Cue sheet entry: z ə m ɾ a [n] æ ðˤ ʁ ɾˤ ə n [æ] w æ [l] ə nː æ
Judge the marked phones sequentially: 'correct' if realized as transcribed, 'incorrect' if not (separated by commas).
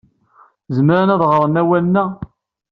correct, correct, correct